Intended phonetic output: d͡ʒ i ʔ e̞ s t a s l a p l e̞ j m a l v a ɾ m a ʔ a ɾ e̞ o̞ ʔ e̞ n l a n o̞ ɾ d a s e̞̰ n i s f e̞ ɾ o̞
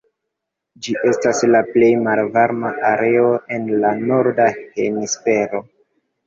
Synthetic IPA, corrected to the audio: d͡ʒ i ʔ e̞ s t a s l a p l e̞ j m a l v a ɾ m a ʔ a ɾ e̞ o̞ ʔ e̞ n l a n o̞ ɾ d a h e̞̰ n i s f e̞ ɾ o̞